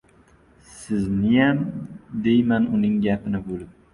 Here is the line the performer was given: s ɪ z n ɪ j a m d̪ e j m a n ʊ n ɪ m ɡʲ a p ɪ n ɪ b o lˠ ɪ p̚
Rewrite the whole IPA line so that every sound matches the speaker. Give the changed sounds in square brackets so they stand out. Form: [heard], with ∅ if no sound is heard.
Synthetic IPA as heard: s ɪ z n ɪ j a m d̪ e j m a n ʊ n ɪ [ŋ] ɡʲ a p ɪ n ɪ b o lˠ ɪ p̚